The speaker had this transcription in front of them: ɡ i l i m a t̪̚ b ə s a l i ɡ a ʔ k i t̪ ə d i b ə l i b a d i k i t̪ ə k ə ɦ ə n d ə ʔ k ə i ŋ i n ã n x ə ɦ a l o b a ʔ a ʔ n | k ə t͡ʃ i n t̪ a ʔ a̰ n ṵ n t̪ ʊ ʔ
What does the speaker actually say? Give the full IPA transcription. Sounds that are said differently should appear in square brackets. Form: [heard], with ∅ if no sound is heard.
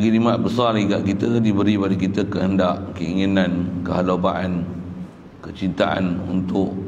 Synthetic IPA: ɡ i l i m a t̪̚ b ə s a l i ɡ a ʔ k i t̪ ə d i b ə [ɾ] i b a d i k i t̪ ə k ə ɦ ə n d [a] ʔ k ə i ŋ i n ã n [k] ə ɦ a l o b a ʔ a [∅] n | k ə t͡ʃ i n t̪ a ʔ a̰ n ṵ n t̪ ʊ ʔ

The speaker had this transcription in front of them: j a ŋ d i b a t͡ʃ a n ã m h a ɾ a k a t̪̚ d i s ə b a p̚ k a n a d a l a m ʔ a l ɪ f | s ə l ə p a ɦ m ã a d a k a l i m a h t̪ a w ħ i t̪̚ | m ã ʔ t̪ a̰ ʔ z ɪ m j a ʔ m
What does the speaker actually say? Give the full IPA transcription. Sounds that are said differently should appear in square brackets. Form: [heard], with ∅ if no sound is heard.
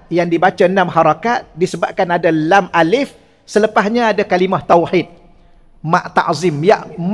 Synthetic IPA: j a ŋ d i b a t͡ʃ a n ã m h a ɾ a k a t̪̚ d i s ə b a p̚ k a n a d a l a m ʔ a l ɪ f | s ə l ə p a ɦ [ɲ] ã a d a k a l i m a h t̪ a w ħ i t̪̚ | m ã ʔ t̪ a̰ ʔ z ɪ m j a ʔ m

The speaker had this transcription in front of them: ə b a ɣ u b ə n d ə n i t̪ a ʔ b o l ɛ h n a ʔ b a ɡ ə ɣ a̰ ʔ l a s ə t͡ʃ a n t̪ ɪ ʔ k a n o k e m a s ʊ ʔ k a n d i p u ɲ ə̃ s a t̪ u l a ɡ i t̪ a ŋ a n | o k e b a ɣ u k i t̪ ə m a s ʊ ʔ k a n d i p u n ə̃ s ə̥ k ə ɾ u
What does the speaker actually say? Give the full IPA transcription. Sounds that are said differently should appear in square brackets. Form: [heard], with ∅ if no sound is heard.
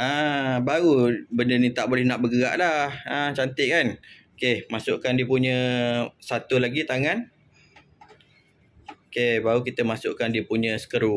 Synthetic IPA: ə b a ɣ u b ə n d ə n i t̪ a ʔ b o l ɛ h n a ʔ b [ə] ɡ ə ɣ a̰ ʔ l a [h] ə t͡ʃ a n t̪ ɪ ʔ k a n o k e m a s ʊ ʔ k a n d i p u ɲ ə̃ s a t̪ u l a ɡ i t̪ a ŋ a n | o k e b a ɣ u k i t̪ ə m a s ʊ ʔ k a n d i p u [ɲ] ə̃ s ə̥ k ə ɾ u

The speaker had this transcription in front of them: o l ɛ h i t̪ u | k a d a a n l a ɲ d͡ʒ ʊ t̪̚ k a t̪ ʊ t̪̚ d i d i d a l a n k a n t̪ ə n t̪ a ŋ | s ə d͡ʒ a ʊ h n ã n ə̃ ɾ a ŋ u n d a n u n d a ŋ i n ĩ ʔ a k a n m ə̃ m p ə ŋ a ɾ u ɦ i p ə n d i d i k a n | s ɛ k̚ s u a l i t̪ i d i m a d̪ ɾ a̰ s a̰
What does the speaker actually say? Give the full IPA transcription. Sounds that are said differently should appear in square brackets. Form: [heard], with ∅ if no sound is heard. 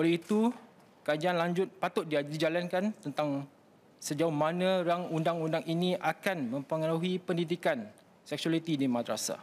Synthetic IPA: o l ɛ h i t̪ u | k a [d͡ʒ] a a n l a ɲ d͡ʒ ʊ t̪̚ [p] a t̪ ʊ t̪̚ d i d i [d͡ʒ] a l a n k a n t̪ ə n t̪ a ŋ | s ə d͡ʒ a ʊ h [m] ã n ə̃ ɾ a ŋ u n d a [ŋ] u n d a ŋ i n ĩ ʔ a k a n m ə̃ m p ə ŋ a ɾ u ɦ i p ə n d i d i k a n | s ɛ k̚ s u a l i t̪ i d i m a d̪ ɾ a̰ s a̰

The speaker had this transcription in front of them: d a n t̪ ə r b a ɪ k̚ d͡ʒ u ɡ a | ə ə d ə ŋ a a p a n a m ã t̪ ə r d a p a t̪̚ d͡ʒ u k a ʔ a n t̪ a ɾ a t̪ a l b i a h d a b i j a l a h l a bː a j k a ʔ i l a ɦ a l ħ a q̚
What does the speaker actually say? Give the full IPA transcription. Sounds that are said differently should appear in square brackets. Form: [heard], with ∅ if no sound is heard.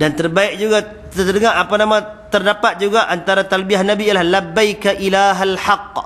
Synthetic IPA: d a n t̪ ə r b a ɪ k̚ d͡ʒ u ɡ a | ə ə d ə ŋ a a p a n a m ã t̪ ə r d a p a t̪̚ d͡ʒ u [ɡ] a ʔ a n t̪ a ɾ a t̪ a l b i a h [n] a b i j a l a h l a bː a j k a ʔ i l a ɦ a l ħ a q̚

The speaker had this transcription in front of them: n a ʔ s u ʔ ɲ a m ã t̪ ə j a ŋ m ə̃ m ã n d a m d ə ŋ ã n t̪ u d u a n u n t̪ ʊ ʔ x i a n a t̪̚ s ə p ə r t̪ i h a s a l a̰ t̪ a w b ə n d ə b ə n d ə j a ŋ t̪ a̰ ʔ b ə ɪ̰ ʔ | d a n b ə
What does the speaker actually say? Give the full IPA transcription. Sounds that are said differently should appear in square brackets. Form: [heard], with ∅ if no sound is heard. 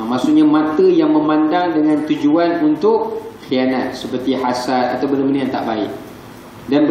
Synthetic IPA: [m] a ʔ s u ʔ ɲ a m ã t̪ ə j a ŋ m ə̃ m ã n d a [ŋ] d ə ŋ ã n t̪ u [d͡ʒ] u a n u n t̪ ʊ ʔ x i a n a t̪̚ s ə p ə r t̪ i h a s a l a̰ t̪ a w b ə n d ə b ə n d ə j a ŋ t̪ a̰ ʔ b [a] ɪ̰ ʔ | d a n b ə

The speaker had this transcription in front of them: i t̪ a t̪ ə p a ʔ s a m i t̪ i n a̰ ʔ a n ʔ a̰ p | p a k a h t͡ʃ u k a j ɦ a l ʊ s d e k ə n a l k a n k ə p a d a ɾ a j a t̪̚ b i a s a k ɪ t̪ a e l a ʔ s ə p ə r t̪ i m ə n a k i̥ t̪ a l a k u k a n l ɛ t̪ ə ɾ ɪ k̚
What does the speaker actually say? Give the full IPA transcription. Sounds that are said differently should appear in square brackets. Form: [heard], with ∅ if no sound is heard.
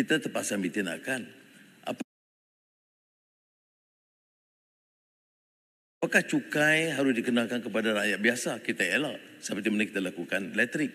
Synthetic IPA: i t̪ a t̪ ə p a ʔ s a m i t̪ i n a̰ [k] a n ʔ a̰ p | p a k a h t͡ʃ u k a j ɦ a [ɾ] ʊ s d [i] k ə n a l k a n k ə p a d a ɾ a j a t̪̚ b i a s a k [i] t̪ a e l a ʔ s ə p ə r t̪ i m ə n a k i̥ t̪ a l a k u k a n l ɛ t̪ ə ɾ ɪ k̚

